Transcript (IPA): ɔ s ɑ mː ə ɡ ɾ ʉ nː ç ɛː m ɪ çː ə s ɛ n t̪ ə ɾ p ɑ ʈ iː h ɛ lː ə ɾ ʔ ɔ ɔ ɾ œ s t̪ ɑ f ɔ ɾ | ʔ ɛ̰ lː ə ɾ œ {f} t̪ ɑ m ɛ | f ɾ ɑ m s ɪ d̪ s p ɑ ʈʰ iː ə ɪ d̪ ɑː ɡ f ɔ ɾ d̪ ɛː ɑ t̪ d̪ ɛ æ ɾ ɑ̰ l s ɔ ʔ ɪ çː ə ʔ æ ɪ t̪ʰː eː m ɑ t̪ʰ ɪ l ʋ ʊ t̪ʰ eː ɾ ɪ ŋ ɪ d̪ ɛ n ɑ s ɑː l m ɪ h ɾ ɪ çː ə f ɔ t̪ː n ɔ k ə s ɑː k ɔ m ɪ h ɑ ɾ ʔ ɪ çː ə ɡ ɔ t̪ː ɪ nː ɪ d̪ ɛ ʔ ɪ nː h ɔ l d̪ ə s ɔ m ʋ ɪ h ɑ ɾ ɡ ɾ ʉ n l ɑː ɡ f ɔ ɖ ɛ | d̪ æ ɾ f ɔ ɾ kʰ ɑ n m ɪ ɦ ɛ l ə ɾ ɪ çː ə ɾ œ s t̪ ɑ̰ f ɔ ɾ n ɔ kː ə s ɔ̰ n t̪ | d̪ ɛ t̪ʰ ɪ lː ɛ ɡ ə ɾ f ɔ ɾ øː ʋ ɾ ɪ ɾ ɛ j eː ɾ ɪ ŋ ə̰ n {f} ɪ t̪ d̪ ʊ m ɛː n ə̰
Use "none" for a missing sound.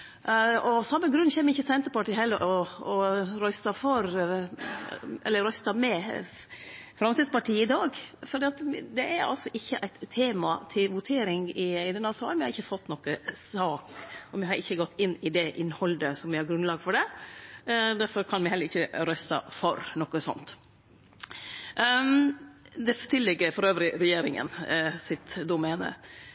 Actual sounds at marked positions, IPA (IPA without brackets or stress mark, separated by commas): s, s